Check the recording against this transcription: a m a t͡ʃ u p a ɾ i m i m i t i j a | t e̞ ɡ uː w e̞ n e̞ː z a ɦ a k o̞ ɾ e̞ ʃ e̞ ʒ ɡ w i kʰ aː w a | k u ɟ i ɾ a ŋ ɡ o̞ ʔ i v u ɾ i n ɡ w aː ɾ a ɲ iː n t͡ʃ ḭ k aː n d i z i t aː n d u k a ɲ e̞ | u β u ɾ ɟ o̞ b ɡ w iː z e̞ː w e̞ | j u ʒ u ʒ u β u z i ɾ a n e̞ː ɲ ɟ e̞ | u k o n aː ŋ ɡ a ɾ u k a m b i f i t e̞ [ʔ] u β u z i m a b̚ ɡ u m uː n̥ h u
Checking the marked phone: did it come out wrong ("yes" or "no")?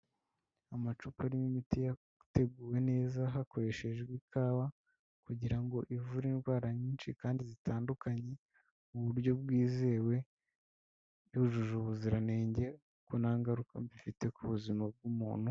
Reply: yes